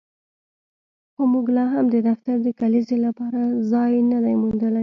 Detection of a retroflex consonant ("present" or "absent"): absent